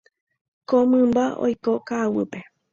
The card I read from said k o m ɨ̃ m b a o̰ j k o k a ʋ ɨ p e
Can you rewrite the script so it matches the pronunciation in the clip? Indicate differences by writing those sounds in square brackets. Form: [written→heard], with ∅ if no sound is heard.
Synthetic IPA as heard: k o m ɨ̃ m b a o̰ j k o k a [ʋ→w] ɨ p e